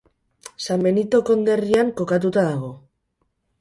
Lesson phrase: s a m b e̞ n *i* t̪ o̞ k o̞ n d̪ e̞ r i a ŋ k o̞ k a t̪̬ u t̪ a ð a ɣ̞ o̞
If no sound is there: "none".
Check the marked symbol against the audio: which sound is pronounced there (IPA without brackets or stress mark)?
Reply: i